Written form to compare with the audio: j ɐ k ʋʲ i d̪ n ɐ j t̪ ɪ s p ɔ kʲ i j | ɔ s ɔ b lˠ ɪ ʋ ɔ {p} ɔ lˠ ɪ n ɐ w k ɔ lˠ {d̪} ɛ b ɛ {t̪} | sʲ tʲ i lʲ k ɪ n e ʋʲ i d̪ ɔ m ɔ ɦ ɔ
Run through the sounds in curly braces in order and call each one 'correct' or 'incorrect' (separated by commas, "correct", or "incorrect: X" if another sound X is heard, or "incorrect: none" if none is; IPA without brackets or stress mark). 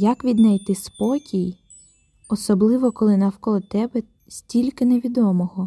incorrect: k, incorrect: t̪, incorrect: none